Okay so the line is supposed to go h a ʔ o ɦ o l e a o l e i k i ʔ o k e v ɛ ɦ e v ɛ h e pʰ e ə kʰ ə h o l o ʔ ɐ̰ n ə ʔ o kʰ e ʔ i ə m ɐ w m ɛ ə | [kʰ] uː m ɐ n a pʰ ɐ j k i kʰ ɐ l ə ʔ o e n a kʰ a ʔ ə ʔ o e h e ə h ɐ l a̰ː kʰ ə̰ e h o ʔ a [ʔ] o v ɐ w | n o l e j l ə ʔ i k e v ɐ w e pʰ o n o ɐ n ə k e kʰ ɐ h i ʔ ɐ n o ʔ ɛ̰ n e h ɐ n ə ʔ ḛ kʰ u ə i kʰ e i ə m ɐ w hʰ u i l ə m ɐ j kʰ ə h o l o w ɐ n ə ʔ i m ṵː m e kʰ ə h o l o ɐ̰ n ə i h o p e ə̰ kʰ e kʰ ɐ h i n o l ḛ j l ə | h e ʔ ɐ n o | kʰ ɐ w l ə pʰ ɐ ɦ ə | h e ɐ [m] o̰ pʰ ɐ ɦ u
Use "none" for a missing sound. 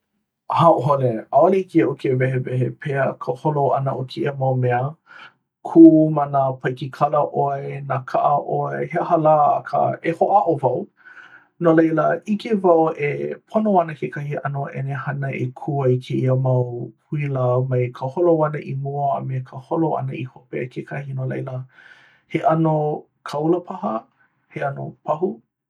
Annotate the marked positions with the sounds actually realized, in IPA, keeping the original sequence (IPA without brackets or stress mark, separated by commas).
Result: kʰ, ʔ, n